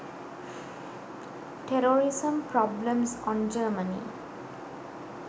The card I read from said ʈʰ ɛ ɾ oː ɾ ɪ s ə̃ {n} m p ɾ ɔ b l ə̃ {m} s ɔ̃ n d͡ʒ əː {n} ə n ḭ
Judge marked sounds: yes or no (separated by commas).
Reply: no, yes, no